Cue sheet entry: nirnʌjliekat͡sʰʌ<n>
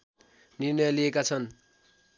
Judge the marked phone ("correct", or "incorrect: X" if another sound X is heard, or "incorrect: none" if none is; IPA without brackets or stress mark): correct